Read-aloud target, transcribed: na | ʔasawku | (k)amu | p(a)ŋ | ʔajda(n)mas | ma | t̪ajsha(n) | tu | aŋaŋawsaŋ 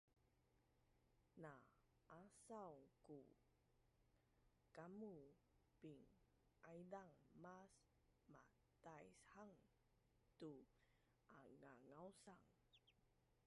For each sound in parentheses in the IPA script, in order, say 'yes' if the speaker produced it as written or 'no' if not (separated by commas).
yes, no, no, no